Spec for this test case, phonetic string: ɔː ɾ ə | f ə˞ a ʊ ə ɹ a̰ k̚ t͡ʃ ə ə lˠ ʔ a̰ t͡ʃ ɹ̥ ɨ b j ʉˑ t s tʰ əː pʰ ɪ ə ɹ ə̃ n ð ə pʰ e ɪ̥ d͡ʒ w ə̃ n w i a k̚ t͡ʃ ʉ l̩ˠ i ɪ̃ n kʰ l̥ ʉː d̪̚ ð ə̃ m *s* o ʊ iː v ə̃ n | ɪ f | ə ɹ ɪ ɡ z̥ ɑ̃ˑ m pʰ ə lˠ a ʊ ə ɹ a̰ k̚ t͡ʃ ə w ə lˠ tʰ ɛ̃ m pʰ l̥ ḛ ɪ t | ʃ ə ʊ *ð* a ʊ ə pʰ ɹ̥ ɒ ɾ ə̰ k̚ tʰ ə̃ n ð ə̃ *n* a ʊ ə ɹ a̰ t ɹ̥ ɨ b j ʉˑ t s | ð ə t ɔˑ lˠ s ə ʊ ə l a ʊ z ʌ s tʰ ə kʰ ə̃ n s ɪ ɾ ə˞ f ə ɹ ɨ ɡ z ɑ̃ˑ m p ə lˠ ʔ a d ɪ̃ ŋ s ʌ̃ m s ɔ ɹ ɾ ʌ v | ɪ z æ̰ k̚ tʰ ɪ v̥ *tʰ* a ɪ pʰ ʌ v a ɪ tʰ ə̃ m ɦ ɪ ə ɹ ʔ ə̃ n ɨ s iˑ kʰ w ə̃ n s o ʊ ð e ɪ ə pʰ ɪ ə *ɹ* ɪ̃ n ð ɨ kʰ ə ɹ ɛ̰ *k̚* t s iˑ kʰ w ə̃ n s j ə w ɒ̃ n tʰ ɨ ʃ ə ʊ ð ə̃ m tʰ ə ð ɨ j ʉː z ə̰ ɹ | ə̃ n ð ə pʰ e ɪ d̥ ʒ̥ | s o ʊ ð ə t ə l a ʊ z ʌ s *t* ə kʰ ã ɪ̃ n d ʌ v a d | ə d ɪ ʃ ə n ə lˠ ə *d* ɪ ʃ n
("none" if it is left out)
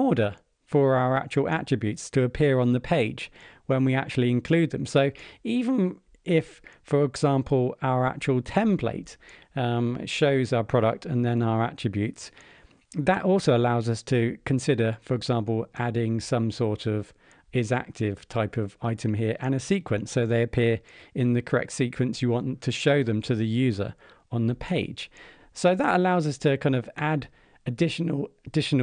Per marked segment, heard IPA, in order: s, z, n, tʰ, ɹ, k̚, tʰ, d

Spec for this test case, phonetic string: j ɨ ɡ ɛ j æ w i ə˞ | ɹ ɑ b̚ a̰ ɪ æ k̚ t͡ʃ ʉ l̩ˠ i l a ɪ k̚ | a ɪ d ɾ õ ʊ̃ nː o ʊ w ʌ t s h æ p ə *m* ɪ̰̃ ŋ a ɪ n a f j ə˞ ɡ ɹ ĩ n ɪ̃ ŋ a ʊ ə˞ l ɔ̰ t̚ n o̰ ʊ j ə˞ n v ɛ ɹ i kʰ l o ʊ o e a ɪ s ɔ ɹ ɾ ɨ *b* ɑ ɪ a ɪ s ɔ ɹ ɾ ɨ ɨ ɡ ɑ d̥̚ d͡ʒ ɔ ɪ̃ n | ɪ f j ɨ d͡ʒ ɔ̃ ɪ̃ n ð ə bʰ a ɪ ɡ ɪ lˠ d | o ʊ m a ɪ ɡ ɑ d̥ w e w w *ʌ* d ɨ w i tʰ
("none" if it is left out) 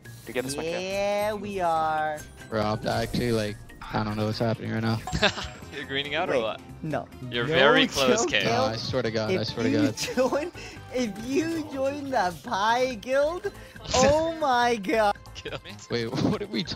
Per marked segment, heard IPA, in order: n, ɡ, ʌ

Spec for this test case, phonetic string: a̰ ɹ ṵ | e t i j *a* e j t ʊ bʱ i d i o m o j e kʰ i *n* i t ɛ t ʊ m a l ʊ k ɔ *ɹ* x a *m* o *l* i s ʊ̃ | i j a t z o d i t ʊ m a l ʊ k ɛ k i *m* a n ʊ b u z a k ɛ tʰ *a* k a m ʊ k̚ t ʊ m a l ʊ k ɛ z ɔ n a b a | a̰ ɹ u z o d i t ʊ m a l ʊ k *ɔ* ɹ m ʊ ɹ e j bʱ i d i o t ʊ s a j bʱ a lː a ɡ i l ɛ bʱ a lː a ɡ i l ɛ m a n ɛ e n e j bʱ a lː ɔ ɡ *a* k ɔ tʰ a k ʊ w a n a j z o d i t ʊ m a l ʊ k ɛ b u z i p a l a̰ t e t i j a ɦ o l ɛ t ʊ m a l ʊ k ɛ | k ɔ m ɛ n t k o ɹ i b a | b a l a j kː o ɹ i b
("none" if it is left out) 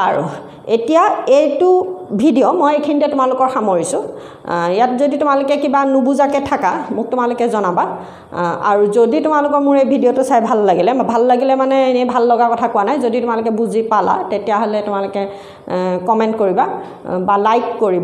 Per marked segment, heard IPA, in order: a, n, ɹ, m, ɹ, b, a, ɔ, a

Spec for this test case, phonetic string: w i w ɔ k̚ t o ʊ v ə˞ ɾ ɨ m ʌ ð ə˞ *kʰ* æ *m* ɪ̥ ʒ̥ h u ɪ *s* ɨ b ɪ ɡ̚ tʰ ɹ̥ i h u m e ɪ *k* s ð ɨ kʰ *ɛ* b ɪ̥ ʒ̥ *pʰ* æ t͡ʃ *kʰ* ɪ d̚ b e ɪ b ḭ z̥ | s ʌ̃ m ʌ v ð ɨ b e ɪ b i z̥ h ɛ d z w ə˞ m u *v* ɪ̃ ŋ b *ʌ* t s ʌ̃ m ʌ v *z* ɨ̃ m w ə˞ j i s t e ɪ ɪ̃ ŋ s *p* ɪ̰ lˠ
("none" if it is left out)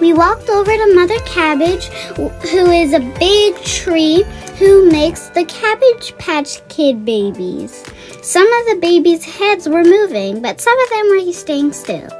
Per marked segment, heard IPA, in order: kʰ, b, z, k, æ, pʰ, kʰ, v, ʌ, ð, t

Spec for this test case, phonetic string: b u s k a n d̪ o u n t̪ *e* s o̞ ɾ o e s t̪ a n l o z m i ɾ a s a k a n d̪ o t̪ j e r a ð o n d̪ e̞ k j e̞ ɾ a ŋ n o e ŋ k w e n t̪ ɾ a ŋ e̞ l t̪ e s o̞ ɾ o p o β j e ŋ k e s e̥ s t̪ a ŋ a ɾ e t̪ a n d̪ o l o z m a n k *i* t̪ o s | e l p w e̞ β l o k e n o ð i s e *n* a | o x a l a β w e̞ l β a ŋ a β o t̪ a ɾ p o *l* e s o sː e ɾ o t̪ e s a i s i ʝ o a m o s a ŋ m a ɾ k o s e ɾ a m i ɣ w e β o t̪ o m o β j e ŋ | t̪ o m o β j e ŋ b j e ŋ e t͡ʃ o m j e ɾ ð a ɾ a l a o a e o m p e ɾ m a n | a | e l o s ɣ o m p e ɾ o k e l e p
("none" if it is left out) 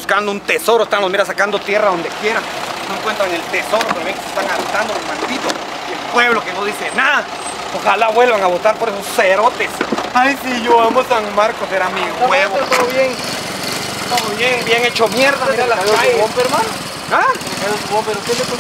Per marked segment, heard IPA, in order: e, i, n, ɾ

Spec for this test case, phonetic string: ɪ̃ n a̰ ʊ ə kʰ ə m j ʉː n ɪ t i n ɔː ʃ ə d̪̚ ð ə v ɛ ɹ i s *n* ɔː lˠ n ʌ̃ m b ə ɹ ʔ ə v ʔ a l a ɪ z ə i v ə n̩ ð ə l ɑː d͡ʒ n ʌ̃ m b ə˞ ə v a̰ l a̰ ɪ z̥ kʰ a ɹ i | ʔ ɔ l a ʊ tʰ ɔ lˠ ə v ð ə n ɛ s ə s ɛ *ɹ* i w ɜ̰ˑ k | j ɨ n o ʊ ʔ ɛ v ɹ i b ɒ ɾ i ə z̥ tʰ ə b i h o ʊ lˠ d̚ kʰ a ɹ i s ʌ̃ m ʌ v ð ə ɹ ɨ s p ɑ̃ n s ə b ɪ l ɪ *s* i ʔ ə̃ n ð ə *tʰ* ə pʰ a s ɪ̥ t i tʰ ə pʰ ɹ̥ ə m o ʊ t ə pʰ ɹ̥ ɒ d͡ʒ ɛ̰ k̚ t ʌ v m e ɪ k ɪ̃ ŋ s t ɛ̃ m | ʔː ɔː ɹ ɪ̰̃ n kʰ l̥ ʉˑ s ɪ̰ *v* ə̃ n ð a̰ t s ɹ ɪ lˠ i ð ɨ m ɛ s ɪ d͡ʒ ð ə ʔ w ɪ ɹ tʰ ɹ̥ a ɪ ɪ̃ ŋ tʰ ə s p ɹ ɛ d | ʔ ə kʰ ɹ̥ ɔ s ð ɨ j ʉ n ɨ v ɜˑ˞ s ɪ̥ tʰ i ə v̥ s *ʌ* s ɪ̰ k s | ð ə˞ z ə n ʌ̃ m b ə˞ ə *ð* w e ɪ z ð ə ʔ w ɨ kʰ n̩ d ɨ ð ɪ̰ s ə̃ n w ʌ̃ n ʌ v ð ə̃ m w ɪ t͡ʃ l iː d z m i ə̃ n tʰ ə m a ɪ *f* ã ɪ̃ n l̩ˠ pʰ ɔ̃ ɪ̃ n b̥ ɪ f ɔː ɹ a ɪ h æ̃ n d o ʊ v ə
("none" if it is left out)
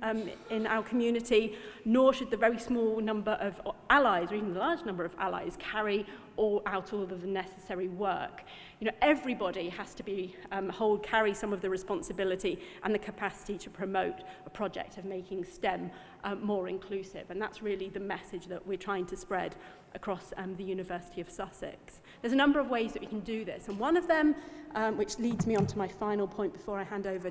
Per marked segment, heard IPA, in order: m, ɹ, t, kʰ, v, ʌ, v, f

